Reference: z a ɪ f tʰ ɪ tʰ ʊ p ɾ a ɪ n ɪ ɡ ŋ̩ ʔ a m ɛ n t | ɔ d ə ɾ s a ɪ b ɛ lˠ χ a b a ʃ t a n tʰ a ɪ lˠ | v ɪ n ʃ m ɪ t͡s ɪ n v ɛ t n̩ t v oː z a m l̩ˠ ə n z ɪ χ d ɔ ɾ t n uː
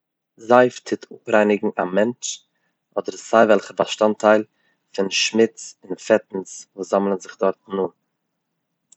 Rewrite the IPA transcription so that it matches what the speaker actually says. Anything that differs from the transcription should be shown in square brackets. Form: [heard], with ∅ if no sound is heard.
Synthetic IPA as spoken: z a ɪ f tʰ ɪ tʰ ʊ p ɾ a ɪ n ɪ ɡ ŋ̩ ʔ a m ɛ n [t͡ʃ] | ɔ d ə ɾ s a ɪ [v] ɛ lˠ χ [ə] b a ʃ t a n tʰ a ɪ lˠ | [f] ɪ n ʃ m ɪ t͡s ɪ n [f] ɛ t n̩ [s] v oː z a m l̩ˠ ə n z ɪ χ d ɔ ɾ t n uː